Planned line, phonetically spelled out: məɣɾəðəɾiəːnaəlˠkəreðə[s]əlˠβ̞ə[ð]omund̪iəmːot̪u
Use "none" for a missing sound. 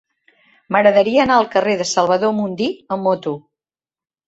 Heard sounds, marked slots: s, ð

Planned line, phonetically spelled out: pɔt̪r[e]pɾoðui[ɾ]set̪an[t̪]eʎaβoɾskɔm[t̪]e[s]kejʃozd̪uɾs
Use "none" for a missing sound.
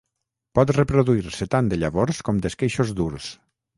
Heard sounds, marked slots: e, ɾ, d̪, d̪, s

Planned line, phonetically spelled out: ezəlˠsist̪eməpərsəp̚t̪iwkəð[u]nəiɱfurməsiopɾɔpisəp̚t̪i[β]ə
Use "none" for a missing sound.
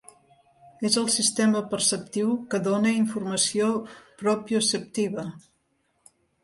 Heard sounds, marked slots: o, β

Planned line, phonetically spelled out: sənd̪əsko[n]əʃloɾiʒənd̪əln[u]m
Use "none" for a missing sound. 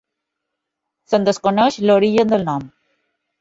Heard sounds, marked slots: n, ɔ

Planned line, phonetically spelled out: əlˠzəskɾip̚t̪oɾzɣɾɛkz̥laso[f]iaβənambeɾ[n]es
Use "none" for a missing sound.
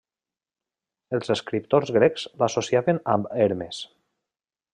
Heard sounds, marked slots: s, m

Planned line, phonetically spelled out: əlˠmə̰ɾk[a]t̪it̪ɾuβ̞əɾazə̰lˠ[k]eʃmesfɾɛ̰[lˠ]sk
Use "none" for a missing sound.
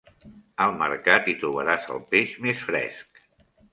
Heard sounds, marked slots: a, p, none

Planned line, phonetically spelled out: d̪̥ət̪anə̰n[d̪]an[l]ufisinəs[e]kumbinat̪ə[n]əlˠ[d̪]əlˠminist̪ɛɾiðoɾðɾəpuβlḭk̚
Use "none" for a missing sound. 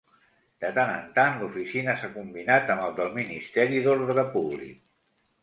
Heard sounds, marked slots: t̪, l, a, m, d̪

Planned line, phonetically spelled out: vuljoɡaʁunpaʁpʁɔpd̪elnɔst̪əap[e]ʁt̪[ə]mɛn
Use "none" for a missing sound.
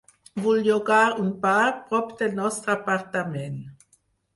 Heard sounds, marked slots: a, a

